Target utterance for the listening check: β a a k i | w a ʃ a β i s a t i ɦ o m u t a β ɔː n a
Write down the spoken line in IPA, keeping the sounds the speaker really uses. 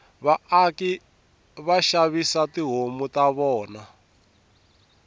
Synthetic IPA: β a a k i | β a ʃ a β i s a t i ɦ o m u t a β ɔː n a